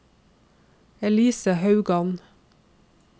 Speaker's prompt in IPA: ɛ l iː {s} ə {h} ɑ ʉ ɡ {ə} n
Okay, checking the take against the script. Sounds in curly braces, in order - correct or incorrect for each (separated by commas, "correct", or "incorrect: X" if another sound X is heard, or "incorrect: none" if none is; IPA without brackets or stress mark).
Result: correct, correct, incorrect: ɑ